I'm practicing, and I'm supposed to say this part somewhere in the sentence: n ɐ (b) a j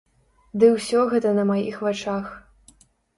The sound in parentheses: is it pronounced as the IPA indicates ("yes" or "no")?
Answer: no